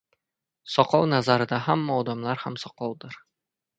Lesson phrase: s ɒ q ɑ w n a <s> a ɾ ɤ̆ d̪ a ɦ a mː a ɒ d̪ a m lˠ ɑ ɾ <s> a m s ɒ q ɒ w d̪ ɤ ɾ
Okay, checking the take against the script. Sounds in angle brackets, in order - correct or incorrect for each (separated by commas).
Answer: incorrect, incorrect